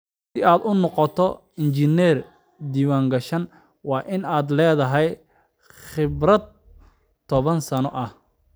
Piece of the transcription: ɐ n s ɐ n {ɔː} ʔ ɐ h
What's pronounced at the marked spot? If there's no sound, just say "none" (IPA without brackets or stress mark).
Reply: ɔ